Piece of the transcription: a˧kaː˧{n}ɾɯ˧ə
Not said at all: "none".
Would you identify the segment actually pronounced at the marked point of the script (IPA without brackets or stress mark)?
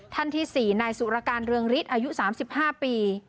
n